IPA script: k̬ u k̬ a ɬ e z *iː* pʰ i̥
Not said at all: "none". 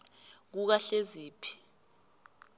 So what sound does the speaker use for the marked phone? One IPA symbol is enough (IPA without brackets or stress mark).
iː